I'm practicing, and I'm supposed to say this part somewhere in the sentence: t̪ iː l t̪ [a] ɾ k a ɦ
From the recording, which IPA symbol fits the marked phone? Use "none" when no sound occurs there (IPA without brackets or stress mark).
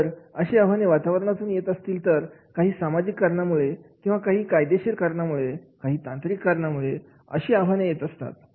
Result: ə